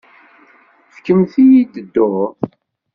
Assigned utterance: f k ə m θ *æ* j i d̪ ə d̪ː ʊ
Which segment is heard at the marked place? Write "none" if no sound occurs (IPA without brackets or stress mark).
i